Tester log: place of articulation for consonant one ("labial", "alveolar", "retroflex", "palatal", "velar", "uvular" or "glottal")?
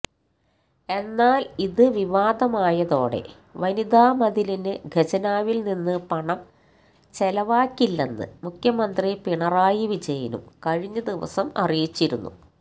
alveolar